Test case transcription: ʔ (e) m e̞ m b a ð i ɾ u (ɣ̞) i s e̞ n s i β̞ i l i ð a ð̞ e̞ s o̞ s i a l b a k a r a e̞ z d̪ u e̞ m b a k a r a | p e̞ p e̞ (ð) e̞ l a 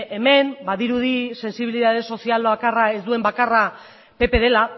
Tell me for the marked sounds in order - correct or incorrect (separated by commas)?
correct, incorrect, correct